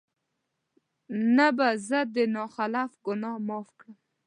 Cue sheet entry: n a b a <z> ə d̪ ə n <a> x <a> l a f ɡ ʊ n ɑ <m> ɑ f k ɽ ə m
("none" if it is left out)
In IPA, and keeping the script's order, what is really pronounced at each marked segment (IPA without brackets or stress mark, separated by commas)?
z, ɑ, a, m